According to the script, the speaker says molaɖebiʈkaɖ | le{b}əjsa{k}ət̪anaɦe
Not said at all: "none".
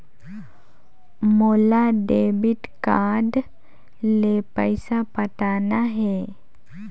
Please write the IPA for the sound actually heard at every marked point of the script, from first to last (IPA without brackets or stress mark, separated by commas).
p, p